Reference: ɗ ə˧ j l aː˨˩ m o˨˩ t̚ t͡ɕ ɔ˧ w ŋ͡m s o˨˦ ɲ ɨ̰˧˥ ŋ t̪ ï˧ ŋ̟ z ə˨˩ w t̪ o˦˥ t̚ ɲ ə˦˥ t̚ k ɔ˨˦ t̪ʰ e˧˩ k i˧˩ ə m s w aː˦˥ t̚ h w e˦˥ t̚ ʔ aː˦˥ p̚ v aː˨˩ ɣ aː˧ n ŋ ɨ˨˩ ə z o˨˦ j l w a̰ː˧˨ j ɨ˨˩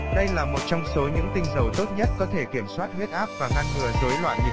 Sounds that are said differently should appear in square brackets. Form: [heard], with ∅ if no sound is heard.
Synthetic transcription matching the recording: ɗ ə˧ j l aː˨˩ m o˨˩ t̚ t͡ɕ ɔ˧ w ŋ͡m s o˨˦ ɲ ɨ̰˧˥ ŋ t̪ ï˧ ŋ̟ z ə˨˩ w t̪ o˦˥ t̚ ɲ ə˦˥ t̚ k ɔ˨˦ t̪ʰ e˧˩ k i˧˩ ə m s w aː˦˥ t̚ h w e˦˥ t̚ ʔ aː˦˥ p̚ v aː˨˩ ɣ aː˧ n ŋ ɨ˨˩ ə z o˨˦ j l w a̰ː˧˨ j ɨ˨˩

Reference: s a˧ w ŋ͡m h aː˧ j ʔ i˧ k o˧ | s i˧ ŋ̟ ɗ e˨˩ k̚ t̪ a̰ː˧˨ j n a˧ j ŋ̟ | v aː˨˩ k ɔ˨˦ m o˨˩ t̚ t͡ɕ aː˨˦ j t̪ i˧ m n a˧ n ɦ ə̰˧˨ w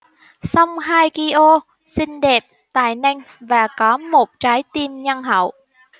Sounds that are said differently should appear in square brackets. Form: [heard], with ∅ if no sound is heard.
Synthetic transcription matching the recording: s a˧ w ŋ͡m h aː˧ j [k] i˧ [ʔ] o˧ | s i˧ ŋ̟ ɗ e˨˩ [p̚] t̪ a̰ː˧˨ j n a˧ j ŋ̟ | v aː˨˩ k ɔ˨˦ m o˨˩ t̚ t͡ɕ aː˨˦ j t̪ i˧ m [ɲ] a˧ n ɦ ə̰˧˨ w

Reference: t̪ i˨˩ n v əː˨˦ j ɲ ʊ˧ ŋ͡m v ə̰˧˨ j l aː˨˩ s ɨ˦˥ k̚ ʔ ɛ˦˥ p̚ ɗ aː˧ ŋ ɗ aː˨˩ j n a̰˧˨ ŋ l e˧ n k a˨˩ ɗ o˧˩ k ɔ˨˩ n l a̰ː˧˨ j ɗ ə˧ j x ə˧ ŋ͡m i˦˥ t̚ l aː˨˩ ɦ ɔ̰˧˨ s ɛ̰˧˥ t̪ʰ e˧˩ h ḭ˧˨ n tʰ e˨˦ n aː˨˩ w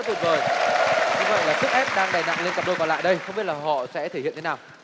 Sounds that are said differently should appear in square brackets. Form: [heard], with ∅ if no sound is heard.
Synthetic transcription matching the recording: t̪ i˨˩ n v [əː˨˩] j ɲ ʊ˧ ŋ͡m v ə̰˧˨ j l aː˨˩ s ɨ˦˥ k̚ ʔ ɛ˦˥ p̚ ɗ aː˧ ŋ ɗ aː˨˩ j n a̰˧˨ ŋ l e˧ n k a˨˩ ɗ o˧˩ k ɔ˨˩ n l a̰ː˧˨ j ɗ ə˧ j x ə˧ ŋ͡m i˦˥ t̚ l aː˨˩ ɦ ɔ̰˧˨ s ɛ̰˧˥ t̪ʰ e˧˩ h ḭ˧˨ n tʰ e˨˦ n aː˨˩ w

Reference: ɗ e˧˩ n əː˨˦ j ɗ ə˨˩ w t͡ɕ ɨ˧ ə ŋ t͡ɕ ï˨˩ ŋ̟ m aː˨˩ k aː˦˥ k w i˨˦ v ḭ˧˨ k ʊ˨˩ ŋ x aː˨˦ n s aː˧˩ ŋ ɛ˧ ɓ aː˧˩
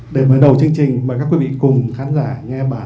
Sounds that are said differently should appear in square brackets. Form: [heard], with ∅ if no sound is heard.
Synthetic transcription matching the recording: ɗ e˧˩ [m] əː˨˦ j ɗ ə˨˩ w t͡ɕ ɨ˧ ə ŋ t͡ɕ ï˨˩ ŋ̟ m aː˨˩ k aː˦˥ k w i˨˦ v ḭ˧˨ k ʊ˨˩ [ŋ͡m] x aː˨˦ n [z] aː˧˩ ŋ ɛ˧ ɓ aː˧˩

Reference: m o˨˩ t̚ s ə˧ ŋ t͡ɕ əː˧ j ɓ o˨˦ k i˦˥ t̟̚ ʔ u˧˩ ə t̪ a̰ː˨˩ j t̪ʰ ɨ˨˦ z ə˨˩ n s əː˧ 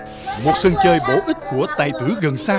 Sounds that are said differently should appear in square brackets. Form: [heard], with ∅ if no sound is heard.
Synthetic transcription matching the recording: m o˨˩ t̚ s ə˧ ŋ t͡ɕ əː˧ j ɓ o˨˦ [ʔ] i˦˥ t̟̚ [k] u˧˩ ə t̪ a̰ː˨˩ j [t̪] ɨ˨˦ [ɣ] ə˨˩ n s [aː˧]

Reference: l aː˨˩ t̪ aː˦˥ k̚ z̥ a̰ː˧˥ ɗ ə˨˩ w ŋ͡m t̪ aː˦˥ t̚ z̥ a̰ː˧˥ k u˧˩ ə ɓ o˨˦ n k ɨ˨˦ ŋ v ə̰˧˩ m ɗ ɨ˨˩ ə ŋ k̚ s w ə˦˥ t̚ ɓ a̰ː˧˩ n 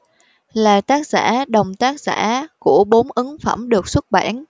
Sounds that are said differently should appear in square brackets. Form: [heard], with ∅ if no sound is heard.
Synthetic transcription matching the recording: l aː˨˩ t̪ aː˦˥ k̚ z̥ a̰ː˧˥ ɗ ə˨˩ w ŋ͡m t̪ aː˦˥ [k̚] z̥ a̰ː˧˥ k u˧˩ ə ɓ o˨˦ n [ʔ] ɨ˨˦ ŋ [f] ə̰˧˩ m ɗ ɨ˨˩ ə [∅] k̚ s w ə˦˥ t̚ ɓ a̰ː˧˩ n

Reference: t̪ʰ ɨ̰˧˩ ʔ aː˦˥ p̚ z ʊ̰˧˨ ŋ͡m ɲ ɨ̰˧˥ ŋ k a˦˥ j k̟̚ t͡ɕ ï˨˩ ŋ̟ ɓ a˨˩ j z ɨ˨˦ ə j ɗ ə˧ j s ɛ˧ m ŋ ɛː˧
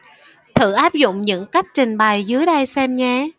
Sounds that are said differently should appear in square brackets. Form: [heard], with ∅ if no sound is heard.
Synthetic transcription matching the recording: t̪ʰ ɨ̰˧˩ ʔ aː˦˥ p̚ z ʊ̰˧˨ ŋ͡m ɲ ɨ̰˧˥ ŋ k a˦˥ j k̟̚ t͡ɕ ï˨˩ ŋ̟ ɓ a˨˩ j z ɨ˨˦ ə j ɗ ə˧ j s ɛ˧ m [ɲ] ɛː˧

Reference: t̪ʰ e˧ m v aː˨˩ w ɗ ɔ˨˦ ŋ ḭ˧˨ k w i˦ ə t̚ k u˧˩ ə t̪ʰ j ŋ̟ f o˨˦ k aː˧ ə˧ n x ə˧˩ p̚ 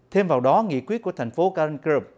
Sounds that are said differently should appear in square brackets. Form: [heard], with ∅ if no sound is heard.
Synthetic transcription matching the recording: t̪ʰ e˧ m v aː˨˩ w ɗ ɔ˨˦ ŋ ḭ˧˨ k w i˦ ə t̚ k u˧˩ ə t̪ʰ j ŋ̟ f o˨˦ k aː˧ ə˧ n [k] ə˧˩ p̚

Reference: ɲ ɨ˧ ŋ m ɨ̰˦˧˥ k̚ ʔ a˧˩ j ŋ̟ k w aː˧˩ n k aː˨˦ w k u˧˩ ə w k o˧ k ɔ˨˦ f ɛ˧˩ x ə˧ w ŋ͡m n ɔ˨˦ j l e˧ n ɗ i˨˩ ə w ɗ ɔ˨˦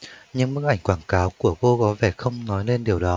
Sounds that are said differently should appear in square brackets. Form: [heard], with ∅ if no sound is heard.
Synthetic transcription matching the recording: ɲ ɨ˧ ŋ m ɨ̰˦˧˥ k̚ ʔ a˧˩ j ŋ̟ k w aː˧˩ n k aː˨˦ w k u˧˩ ə [∅] k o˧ k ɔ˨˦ [v] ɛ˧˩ x ə˧ w ŋ͡m n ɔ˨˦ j l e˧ n ɗ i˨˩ ə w ɗ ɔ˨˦

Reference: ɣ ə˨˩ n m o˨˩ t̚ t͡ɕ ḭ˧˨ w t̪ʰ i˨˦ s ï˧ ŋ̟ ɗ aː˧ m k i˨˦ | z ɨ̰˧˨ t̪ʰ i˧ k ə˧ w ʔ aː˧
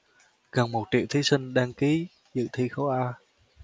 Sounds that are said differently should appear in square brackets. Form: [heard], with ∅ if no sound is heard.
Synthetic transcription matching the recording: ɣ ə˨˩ n m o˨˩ t̚ t͡ɕ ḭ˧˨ w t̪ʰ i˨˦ s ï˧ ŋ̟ ɗ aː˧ [ŋ] k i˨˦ | z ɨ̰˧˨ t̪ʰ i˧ [x] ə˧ w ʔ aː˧

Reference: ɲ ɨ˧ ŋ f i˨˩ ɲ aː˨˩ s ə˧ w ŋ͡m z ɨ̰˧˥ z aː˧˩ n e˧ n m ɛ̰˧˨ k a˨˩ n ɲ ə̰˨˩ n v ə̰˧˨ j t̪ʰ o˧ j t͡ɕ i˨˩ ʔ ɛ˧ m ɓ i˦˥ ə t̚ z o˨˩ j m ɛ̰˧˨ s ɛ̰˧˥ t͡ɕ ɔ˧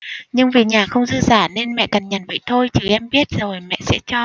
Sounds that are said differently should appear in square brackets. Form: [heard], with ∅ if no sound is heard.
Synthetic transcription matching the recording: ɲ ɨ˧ ŋ [v] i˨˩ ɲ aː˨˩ [x] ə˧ w ŋ͡m z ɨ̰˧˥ z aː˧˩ n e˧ n m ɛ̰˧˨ k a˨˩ n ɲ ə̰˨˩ n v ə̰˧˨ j t̪ʰ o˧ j t͡ɕ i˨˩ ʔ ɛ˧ m ɓ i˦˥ ə t̚ z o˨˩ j m ɛ̰˧˨ s ɛ̰˧˥ t͡ɕ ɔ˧

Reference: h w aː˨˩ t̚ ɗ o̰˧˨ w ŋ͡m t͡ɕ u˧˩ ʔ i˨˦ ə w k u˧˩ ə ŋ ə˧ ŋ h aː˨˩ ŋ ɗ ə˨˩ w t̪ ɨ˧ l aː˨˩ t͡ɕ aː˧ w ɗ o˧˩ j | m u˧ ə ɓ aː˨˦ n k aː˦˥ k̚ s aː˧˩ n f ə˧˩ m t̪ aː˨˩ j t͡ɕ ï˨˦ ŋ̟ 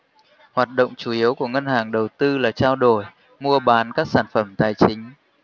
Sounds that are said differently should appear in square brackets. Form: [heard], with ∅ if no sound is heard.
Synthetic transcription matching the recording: h w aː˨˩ t̚ ɗ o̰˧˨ w ŋ͡m t͡ɕ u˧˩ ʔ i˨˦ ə w k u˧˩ ə ŋ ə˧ [n] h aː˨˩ ŋ ɗ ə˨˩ w t̪ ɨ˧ l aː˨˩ t͡ɕ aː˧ w ɗ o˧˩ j | m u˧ ə ɓ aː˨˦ n k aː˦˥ k̚ s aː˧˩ n f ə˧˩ m t̪ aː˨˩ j t͡ɕ ï˨˦ ŋ̟

